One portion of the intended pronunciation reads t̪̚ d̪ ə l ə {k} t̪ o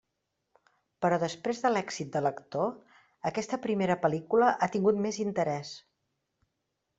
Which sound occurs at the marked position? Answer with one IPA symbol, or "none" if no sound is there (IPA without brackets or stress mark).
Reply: k